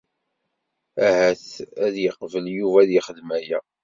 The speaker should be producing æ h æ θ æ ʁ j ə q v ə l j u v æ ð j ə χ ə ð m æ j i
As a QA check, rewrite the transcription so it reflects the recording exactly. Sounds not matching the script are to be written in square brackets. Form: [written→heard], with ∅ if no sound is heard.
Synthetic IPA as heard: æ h æ θ æ [ʁ→ð] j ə q v ə l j u v æ ð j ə χ ə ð m æ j [i→æ]